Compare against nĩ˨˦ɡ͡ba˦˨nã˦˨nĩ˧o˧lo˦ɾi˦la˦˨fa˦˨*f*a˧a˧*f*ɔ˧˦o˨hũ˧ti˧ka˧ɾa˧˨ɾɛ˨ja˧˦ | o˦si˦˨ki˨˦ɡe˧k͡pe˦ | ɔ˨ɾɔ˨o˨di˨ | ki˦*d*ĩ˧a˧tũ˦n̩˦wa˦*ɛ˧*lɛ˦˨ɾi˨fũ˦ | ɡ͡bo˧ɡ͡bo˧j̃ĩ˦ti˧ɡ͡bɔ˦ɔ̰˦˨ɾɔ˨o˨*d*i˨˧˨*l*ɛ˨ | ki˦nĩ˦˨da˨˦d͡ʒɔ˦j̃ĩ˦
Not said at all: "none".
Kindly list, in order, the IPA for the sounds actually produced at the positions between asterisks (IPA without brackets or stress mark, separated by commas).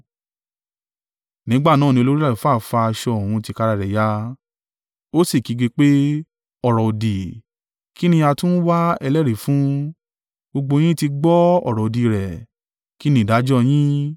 f, ʃ, n, ɛ˧, d, ɾ